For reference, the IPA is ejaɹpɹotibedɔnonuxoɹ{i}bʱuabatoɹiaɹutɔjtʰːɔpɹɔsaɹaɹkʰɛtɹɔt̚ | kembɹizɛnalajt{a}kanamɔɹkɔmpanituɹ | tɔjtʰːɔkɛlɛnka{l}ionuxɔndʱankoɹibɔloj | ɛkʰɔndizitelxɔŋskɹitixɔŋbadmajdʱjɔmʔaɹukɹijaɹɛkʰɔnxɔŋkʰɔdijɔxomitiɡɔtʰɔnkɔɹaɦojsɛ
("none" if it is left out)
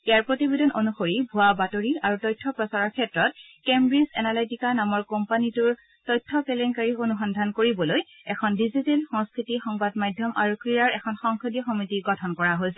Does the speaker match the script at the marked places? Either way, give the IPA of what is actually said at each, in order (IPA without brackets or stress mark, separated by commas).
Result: i, i, ɹ